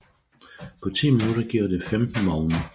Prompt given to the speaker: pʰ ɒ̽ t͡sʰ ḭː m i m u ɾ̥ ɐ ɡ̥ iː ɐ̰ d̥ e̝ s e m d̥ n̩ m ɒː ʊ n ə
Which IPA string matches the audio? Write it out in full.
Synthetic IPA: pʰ ɒ̽ t͡sʰ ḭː m i n u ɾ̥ ɐ ɡ̥ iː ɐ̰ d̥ e̝ f e m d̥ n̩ m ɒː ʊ n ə

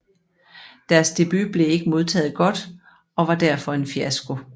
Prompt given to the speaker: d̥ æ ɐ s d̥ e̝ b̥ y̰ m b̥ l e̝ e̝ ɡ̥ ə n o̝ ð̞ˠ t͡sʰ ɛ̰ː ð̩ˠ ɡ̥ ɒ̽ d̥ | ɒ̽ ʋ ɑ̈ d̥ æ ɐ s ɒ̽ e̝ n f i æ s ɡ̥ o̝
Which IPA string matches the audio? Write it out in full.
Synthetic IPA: d̥ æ ɐ s d̥ e̝ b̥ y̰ b̥ l e̝ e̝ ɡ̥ ə m o̝ ð̞ˠ t͡sʰ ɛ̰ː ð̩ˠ ɡ̥ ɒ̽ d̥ | ɒ̽ ʋ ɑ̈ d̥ æ ɐ f ɒ̽ e̝ n f i æ s ɡ̥ o̝

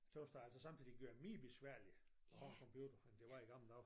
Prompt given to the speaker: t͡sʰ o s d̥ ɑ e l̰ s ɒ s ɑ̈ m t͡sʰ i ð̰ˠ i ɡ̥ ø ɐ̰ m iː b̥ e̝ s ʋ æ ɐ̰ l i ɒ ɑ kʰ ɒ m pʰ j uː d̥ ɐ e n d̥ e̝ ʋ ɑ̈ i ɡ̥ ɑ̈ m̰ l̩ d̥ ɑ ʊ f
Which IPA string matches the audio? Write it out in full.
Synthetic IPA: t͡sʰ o s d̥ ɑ æ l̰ s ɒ s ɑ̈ m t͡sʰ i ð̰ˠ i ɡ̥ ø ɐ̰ m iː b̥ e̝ s ʋ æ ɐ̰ l i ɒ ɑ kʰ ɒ m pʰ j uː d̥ ɐ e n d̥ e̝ ʋ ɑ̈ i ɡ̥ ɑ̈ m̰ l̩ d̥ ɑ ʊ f

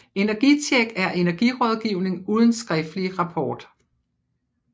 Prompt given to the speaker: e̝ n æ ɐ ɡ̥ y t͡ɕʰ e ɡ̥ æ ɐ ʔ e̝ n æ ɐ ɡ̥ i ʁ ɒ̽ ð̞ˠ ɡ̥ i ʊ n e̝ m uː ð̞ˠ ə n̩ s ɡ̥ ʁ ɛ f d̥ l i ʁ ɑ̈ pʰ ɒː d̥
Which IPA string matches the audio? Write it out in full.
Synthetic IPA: e̝ n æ ɐ ɡ̥ i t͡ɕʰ e ɡ̥ æ ɐ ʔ e̝ n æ ɐ ɡ̥ i ʁ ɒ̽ ð̞ˠ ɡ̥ i ʊ n e̝ ŋ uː ð̞ˠ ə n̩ s ɡ̥ ʁ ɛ f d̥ l i ʁ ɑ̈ pʰ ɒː d̥

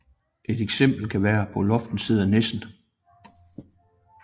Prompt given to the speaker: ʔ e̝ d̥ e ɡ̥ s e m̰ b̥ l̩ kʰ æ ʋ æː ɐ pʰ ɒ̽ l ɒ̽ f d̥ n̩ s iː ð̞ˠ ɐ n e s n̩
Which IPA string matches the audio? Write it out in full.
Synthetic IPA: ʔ e̝ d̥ e ɡ̥ s e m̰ b̥ l̩ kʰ æ ʋ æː ɐ pʰ ɒ̽ l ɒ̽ f d̥ n̩ s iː ð̞ˠ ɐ n e s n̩

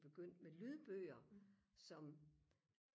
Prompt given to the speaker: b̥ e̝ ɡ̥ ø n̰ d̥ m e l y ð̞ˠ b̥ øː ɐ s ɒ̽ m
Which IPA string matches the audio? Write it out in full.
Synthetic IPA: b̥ e̝ ɡ̥ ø n̰ d̥ m e l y ð̞ˠ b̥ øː ɐ s ɒ̽ m

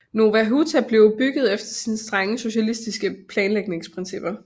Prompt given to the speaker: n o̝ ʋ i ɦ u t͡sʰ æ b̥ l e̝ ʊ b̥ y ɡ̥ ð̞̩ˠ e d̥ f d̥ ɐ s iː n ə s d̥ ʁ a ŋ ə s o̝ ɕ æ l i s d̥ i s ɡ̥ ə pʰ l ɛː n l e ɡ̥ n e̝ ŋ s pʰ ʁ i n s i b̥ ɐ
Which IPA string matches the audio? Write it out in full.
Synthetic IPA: n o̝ ʋ æ ɦ u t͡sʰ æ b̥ l e̝ ʊ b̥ y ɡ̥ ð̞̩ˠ e f d̥ ɐ s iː n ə s d̥ ʁ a ŋ ə s o̝ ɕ æ l i s d̥ i s ɡ̥ ə pʰ l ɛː n l e ɡ̥ n e̝ ŋ s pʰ ʁ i n s i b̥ ɐ

